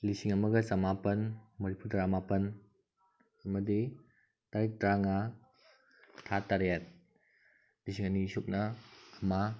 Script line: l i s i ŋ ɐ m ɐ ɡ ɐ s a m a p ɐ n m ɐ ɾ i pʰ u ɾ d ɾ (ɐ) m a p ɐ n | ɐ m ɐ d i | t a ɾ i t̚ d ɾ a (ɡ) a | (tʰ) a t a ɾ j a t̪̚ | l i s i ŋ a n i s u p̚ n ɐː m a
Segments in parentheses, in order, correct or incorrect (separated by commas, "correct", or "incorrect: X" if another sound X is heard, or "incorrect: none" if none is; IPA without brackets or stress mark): incorrect: a, incorrect: ŋ, correct